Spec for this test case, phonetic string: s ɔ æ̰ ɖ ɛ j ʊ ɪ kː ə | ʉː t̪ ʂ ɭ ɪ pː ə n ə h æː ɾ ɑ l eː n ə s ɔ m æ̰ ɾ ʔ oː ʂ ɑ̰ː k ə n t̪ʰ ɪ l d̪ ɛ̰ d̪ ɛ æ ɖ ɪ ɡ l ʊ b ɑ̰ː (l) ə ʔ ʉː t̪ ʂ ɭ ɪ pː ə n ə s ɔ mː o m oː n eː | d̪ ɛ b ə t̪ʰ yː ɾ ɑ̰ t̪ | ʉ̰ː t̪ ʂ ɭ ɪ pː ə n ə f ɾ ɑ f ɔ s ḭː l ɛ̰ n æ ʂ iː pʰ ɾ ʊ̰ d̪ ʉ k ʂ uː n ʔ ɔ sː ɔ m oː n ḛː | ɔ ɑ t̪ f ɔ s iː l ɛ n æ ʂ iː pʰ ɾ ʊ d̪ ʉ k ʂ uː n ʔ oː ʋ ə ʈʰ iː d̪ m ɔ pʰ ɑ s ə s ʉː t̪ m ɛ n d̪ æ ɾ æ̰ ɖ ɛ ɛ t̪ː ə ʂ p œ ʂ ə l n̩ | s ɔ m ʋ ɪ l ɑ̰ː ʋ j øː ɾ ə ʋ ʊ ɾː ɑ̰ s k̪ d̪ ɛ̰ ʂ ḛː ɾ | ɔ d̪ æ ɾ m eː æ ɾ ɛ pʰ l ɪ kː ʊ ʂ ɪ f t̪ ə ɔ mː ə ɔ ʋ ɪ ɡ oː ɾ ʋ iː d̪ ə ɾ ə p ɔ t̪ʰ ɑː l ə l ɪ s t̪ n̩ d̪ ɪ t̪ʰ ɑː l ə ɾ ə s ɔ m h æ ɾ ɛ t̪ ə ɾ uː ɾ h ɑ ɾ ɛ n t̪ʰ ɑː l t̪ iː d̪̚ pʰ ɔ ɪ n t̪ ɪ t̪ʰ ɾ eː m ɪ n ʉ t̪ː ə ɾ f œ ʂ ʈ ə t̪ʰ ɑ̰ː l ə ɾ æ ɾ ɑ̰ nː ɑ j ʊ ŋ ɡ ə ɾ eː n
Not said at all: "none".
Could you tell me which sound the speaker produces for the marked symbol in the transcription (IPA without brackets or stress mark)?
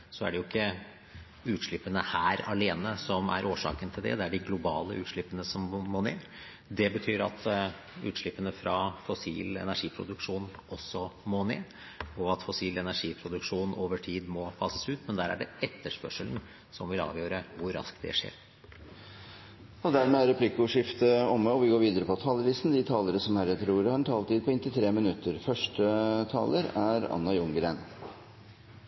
l